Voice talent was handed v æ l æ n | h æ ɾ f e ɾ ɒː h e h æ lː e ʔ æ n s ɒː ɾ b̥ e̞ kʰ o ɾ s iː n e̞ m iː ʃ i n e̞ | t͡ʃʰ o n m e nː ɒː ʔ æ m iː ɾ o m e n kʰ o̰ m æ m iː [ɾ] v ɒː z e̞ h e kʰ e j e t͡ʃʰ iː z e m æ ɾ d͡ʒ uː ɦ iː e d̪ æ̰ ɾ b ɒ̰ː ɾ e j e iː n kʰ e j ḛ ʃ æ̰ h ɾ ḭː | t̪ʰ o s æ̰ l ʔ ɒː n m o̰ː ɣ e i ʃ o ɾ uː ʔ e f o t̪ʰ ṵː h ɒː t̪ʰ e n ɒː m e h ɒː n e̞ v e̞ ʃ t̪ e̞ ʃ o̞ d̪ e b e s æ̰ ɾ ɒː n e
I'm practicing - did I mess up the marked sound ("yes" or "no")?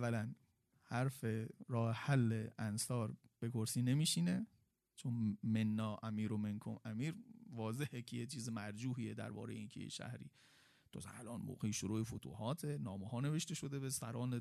no